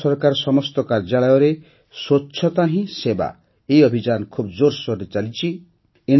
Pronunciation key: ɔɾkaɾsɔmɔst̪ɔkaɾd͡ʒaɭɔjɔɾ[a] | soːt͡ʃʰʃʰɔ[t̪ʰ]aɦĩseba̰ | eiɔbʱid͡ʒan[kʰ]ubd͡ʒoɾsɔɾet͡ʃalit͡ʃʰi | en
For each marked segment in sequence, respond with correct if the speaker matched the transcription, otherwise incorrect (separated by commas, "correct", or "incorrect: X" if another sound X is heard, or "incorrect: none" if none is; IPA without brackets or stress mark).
incorrect: e, incorrect: t̪, correct